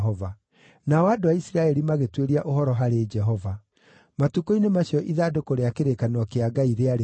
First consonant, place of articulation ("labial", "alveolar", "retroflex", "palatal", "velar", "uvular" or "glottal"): labial